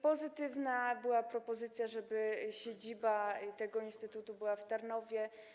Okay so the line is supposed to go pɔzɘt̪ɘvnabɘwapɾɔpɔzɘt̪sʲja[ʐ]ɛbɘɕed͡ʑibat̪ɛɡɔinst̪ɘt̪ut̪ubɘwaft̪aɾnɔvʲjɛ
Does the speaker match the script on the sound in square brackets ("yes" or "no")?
yes